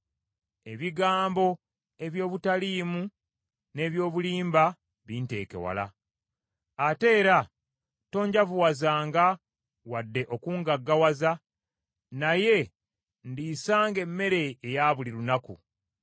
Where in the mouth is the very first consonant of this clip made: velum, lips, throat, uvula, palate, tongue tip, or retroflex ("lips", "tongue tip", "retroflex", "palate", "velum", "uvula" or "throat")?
lips